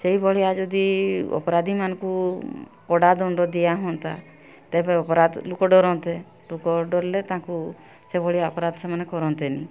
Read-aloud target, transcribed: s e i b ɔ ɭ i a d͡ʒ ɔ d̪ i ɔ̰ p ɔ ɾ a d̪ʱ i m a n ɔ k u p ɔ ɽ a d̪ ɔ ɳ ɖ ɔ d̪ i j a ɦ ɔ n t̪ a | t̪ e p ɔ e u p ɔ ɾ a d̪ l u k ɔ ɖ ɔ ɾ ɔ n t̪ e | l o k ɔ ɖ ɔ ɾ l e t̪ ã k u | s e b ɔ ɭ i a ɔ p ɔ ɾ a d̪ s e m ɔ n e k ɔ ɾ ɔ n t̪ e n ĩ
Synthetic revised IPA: s e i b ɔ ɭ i a d͡ʒ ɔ d̪ i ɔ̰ p ɔ ɾ a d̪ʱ i m a n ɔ k u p ɔ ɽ a d̪ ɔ ɳ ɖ ɔ d̪ i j a ɦ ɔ n t̪ a | t̪ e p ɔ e ɔ p ɔ ɾ a d̪ l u k ɔ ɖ ɔ ɾ ɔ n t̪ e | l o k ɔ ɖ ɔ ɾ l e t̪ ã k u | s e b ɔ ɭ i a ɔ p ɔ ɾ a d̪ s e m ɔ n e k ɔ ɾ ɔ n t̪ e n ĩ